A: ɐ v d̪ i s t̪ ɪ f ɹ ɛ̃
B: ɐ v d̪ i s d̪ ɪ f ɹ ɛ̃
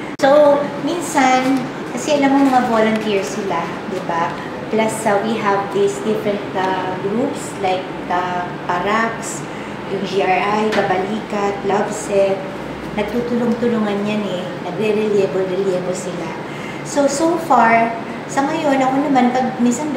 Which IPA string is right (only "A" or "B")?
B